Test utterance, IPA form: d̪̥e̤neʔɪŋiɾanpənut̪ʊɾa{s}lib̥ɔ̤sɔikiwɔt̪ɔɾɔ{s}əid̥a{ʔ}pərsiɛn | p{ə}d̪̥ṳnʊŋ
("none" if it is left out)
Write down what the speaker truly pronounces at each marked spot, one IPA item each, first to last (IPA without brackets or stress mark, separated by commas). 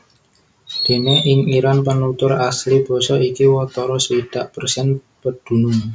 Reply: s, s, ʔ, ə